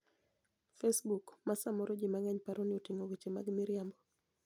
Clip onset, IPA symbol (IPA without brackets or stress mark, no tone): f